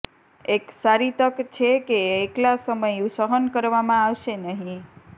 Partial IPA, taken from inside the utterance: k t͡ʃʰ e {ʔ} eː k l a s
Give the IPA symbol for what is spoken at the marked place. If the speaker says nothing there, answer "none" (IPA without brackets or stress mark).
k